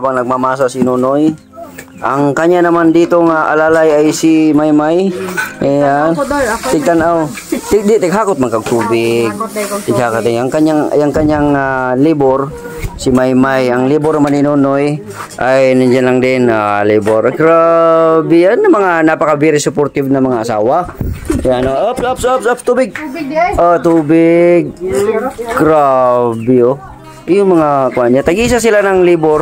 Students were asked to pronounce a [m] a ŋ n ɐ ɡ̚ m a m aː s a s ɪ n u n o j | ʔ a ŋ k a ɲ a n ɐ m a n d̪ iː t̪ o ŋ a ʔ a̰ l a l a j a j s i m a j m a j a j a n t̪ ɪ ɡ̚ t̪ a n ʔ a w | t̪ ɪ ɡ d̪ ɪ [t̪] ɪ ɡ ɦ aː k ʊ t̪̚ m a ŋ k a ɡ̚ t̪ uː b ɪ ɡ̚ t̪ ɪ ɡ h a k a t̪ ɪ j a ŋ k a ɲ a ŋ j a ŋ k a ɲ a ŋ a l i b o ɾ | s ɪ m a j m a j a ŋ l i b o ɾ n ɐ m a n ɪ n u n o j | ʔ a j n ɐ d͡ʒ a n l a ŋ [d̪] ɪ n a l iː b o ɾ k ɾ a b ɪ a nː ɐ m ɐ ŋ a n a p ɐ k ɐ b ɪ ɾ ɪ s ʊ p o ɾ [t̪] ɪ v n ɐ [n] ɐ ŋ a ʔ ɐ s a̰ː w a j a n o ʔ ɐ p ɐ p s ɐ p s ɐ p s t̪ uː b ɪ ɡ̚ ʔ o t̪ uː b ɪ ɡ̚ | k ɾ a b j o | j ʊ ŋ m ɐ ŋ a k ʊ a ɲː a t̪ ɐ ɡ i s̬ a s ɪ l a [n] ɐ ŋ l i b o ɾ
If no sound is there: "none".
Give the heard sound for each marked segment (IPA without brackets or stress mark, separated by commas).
b, t̪, d̪, t̪, m, n